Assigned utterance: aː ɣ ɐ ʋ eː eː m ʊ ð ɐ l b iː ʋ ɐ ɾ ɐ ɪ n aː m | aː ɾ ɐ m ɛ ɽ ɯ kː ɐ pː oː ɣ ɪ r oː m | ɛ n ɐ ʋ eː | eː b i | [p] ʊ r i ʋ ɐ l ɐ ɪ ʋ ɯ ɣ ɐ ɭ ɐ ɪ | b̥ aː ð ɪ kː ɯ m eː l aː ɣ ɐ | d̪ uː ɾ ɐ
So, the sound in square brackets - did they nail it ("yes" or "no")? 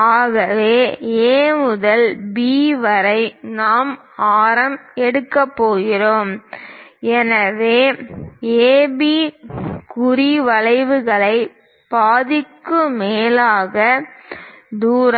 no